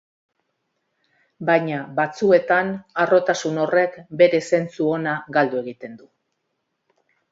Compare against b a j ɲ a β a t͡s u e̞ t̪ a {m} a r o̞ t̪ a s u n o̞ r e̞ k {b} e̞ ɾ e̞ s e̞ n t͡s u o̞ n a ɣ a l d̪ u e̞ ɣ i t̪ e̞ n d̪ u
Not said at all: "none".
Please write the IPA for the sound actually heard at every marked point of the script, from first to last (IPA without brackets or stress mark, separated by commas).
n, b